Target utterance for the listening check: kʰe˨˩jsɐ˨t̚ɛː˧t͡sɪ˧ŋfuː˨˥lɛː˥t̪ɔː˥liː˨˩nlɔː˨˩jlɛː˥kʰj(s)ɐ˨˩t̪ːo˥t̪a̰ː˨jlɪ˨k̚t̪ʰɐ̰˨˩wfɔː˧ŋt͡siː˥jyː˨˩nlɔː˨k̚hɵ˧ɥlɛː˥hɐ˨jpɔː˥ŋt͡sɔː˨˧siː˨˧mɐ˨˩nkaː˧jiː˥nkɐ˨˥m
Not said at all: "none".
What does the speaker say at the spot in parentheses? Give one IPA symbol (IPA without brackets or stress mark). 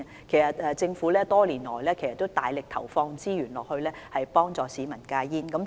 s